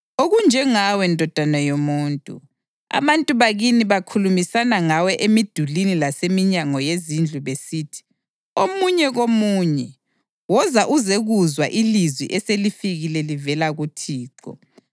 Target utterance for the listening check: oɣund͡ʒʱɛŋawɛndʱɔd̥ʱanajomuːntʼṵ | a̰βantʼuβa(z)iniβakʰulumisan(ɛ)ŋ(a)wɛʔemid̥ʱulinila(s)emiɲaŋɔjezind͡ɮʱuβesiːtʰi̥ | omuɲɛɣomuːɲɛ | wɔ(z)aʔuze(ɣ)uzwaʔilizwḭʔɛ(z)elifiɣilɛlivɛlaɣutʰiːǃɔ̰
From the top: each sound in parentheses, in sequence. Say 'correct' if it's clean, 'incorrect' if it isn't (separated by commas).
incorrect, incorrect, correct, correct, correct, correct, incorrect